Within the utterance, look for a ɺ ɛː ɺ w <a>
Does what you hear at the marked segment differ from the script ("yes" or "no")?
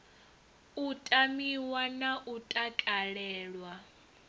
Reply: no